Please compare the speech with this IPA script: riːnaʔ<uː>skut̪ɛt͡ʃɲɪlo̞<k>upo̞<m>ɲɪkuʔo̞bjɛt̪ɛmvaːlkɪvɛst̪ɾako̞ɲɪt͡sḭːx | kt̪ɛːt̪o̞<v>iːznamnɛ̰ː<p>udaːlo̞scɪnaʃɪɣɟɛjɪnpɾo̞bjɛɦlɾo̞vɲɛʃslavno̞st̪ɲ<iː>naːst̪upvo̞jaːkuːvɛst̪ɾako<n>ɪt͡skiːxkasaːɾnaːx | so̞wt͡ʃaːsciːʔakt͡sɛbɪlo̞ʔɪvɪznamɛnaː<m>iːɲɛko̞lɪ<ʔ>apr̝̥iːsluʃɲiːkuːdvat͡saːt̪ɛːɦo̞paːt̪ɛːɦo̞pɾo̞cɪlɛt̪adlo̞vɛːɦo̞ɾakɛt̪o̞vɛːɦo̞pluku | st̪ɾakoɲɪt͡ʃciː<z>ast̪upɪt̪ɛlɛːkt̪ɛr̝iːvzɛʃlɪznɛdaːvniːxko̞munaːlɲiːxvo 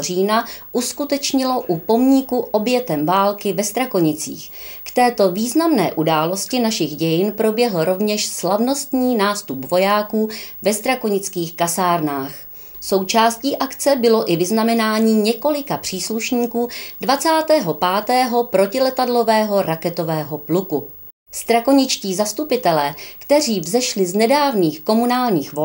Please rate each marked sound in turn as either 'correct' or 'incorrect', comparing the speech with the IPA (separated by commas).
incorrect, incorrect, correct, correct, incorrect, correct, incorrect, incorrect, incorrect, correct